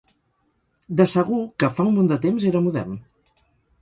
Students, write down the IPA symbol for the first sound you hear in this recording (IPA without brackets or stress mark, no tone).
d̪